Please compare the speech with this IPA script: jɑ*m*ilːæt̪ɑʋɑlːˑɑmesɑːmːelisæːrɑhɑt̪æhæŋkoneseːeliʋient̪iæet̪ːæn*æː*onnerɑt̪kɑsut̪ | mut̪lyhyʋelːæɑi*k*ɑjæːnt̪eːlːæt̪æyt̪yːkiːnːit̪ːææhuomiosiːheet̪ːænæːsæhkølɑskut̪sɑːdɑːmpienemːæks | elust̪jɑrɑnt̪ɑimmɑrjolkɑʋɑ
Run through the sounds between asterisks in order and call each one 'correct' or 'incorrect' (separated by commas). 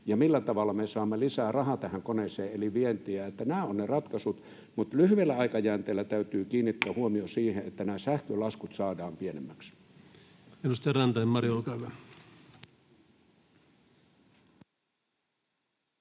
correct, correct, correct